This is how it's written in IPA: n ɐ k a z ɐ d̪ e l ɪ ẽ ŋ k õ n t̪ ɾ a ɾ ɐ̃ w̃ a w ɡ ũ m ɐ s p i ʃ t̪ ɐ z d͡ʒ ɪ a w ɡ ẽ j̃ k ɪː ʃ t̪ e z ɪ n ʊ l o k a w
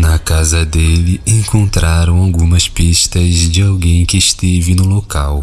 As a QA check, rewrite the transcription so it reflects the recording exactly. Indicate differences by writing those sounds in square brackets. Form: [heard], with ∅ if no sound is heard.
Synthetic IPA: n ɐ k a z ɐ d̪ e l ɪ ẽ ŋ k õ n t̪ ɾ a ɾ ɐ̃ w̃ a w ɡ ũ m ɐ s p i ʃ t̪ ɐ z d͡ʒ ɪ a w ɡ ẽ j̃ k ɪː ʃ t̪ e [v] ɪ n ʊ l o k a w